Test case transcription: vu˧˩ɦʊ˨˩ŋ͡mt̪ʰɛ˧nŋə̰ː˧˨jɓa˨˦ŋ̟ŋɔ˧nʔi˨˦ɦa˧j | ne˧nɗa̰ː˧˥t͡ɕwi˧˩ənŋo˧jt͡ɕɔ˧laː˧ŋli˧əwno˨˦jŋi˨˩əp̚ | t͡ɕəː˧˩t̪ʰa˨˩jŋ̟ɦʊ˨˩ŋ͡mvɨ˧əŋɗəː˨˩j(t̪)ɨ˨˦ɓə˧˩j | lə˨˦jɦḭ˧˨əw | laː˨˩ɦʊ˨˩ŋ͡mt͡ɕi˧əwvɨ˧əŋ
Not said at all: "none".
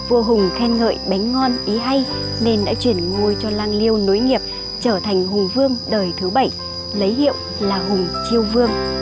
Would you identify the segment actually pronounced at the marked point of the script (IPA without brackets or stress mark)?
t̪ʰ